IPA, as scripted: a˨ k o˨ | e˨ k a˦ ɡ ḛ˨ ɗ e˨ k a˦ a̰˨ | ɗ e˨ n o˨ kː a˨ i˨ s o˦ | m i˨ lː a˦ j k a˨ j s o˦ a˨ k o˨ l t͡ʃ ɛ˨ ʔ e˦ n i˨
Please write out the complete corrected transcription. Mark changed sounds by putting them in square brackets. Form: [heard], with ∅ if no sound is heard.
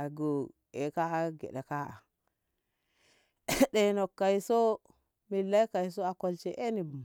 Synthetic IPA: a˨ [ɡ] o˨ | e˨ k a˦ ɡ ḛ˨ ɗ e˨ k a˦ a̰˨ | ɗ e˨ n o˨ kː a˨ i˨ s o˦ | m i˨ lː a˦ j k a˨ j s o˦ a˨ k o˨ l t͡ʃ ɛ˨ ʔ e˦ n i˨

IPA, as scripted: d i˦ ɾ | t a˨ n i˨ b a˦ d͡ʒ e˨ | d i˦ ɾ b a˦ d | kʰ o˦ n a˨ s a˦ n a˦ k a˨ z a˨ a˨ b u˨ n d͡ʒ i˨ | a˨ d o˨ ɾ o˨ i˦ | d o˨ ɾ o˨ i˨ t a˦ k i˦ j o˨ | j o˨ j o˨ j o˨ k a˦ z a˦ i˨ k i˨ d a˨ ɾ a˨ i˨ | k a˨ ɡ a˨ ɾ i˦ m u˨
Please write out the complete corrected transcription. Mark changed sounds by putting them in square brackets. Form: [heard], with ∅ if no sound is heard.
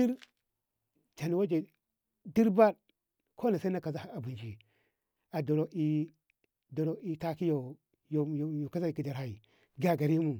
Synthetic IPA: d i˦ ɾ | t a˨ n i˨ [w] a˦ d͡ʒ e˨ | d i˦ ɾ b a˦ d | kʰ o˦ n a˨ s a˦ n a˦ k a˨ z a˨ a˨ b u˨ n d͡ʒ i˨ | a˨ d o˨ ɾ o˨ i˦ | d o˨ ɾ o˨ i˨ t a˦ k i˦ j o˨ | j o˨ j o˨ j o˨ k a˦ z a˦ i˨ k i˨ d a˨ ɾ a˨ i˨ | [ɡ] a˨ ɡ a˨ ɾ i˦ m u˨

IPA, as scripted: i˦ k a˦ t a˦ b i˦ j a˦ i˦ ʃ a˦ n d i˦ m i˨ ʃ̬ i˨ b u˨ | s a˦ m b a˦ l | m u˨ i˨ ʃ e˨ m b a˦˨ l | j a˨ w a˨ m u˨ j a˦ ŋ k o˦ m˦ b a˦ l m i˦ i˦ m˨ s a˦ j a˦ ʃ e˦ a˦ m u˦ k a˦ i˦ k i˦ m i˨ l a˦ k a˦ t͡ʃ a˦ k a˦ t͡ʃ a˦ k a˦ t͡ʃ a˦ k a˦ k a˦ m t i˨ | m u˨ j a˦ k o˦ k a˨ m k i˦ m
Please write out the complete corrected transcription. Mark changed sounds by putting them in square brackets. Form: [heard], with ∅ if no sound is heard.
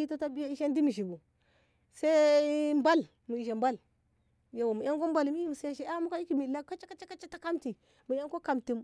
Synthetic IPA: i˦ [t] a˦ t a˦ b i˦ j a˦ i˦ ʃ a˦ n d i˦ m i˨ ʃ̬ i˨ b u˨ | s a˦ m b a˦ l | m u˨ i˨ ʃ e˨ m b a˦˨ l | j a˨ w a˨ m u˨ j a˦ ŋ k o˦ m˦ b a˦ l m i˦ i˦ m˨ s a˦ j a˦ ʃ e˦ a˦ m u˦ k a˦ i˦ k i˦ m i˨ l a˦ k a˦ t͡ʃ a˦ k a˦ t͡ʃ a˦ k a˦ t͡ʃ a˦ [t] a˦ k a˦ m t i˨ | m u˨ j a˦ k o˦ k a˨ m [t] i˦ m

